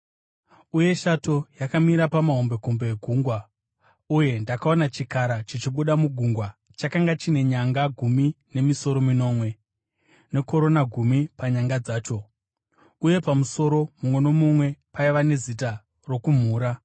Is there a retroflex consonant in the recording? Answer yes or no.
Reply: no